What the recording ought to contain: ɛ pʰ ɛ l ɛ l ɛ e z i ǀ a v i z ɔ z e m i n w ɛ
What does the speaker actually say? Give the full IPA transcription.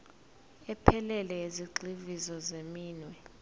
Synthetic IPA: ɛ pʰ ɛ l ɛ l ɛ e z i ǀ i v i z ɔ z e m iː n w ɛ